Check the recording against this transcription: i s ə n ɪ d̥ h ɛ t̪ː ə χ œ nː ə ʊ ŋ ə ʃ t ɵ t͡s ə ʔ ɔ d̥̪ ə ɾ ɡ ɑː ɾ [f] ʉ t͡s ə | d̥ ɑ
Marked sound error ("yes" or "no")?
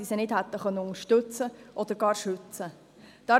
yes